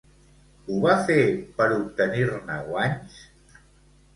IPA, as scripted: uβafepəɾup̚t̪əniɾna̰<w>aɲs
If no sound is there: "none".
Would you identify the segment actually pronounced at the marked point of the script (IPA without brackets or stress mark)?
w